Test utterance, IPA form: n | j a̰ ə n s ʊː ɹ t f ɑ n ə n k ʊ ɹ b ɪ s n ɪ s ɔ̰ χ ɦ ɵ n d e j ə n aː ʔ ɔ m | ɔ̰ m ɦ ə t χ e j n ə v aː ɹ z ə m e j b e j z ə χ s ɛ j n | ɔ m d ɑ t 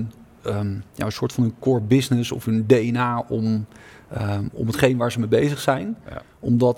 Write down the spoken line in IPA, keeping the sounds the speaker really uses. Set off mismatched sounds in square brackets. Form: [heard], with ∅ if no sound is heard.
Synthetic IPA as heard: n | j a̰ ə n s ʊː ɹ t f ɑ n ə n k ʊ ɹ b ɪ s n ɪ s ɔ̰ [f] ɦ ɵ n d e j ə n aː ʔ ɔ m | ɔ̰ m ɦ ə t χ e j n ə [ʋ] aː ɹ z ə m e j b e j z ə χ s ɛ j n | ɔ m d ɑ t